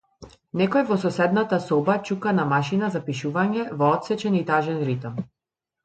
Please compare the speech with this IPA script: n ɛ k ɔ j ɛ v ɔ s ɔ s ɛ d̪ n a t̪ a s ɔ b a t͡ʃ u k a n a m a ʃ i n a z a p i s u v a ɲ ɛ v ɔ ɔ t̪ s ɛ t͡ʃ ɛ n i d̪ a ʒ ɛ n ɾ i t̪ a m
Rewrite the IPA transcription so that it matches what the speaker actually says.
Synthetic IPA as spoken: n ɛ k ɔ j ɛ v ɔ s ɔ s ɛ d̪ n a t̪ a s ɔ b a t͡ʃ u k a n a m a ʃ i n a z a p i ʃ u v a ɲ ɛ v ɔ ɔ t̪ s ɛ t͡ʃ ɛ n i t̪ a ʒ ɛ n ɾ i t̪ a m